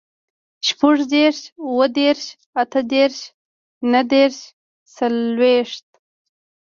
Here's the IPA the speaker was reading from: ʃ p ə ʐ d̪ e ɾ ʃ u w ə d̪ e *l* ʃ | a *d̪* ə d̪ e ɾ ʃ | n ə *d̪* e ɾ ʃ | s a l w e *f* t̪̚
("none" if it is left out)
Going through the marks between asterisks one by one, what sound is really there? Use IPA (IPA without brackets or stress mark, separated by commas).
ɾ, t̪, d̪, ʂ